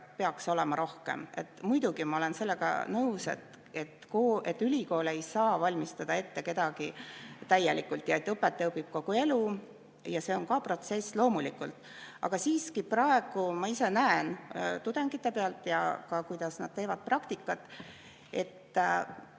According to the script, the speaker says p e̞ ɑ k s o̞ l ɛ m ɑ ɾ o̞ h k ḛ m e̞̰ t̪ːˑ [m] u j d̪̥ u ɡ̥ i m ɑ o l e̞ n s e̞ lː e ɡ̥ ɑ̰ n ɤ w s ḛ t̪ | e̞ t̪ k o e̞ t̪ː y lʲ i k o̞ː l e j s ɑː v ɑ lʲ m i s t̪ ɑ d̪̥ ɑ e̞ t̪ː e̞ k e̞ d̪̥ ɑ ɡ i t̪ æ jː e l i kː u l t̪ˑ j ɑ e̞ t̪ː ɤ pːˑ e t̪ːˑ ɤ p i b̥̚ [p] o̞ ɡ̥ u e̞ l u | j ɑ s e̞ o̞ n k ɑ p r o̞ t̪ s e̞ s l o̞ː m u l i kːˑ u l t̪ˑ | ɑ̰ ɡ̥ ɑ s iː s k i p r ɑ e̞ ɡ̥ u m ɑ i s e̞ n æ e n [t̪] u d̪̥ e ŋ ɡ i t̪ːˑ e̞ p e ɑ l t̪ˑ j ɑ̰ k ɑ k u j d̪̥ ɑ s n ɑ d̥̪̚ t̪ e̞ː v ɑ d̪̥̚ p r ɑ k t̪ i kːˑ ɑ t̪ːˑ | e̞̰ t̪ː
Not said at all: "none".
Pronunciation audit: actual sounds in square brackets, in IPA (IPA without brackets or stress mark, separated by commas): m, k, t̪